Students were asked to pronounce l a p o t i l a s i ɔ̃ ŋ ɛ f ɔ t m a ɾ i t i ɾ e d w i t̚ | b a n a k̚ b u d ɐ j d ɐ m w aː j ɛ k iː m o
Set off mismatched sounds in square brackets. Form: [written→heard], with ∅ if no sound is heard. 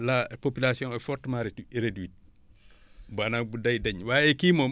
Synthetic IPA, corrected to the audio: l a p o [t→p] i l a s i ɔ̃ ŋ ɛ f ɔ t m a ɾ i t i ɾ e d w i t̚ | b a n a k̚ b u d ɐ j d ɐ [m→ɲ] w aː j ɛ k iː m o